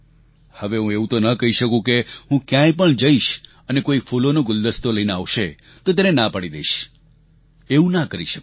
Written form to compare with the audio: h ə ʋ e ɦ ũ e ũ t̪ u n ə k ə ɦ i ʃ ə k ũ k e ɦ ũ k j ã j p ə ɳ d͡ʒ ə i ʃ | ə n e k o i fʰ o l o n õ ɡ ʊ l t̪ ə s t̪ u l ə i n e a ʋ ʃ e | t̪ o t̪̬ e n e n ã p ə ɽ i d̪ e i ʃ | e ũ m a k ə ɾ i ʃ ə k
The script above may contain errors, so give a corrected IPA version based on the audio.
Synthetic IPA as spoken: h ə ʋ e ɦ ũ e ũ t̪ o n ə k ə ɦ i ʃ ə k ũ k e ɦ ũ k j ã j p ə ɳ d͡ʒ ə i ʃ | ə n e k o i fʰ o l o n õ ɡ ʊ l d̪ ə s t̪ o l ə i n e a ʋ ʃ e | t̪ o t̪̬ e n e n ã p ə ɽ i d̪ e i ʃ | e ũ n a k ə ɾ i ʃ ə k